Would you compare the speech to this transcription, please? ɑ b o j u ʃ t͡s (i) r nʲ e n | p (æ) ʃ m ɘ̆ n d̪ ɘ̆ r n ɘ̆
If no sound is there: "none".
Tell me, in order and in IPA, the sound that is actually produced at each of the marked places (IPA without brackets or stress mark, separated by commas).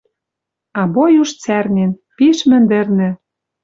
æ, i